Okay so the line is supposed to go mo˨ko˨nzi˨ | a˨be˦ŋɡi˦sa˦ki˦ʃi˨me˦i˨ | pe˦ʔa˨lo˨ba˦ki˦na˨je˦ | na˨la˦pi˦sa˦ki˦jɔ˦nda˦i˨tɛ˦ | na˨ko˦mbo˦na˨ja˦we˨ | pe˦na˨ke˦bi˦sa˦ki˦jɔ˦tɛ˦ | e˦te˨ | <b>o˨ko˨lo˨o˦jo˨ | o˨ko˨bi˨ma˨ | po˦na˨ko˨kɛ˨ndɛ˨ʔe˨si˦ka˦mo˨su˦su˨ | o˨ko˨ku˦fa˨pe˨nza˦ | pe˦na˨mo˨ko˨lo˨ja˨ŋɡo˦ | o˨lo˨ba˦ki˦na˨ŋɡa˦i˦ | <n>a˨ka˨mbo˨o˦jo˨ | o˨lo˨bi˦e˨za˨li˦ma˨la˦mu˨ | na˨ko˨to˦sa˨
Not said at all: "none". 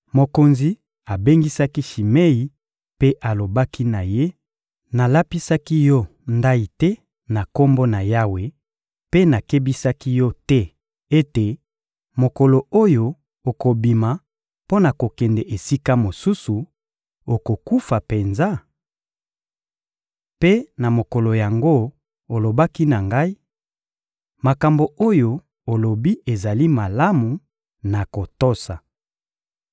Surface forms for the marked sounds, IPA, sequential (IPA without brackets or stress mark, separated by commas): m, m